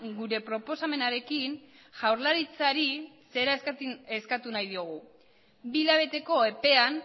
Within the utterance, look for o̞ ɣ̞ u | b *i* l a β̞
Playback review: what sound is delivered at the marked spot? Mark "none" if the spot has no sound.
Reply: i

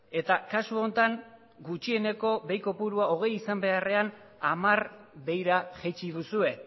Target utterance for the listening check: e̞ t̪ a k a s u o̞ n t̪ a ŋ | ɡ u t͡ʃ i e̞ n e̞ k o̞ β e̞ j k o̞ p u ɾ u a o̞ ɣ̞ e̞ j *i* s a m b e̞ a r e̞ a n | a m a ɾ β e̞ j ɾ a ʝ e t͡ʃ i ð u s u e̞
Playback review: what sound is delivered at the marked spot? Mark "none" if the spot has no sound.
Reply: i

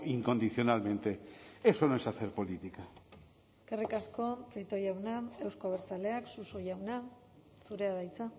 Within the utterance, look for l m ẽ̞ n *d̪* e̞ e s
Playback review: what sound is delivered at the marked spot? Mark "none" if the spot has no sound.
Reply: t̪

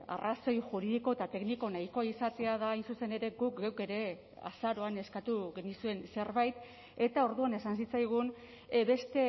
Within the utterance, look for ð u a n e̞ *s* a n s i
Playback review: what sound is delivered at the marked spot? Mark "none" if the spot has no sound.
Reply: s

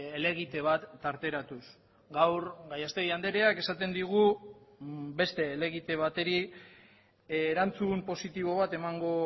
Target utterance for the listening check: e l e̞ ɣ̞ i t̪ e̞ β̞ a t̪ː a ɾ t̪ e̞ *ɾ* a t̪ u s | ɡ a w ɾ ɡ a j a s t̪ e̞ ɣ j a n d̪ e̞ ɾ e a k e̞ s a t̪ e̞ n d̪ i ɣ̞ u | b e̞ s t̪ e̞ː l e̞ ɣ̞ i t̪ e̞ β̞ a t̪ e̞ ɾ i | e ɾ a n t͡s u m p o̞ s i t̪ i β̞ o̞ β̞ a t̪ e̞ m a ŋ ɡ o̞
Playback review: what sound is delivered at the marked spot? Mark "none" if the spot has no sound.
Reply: ɾ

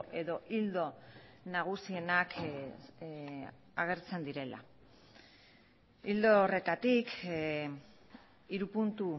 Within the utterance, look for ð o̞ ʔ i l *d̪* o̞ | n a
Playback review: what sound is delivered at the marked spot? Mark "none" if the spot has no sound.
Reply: d̪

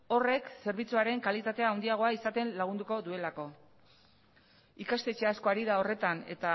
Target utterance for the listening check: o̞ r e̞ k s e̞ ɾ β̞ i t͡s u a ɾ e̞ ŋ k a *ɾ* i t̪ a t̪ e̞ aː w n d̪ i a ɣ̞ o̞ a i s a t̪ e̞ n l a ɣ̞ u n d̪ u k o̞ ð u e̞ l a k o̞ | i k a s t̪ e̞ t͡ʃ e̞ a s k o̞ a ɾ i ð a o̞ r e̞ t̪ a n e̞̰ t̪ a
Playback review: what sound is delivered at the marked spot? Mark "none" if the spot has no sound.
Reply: l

